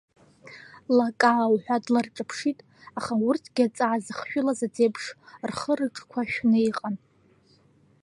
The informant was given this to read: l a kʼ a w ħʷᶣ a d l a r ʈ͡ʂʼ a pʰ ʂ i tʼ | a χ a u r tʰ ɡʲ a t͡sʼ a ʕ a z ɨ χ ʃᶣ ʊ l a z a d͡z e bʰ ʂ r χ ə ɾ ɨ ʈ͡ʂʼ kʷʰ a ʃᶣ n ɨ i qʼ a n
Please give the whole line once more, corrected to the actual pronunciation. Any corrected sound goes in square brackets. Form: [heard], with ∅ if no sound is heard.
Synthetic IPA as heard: l a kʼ a w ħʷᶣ a d l a r ʈ͡ʂʼ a pʰ ʂ i tʼ | a χ a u r tʰ ɡʲ a t͡sʼ a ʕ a z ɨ χ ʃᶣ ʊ l a z a d͡z e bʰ ʂ r χ ə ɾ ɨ ʈ͡ʂʼ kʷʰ a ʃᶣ n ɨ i qʼ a n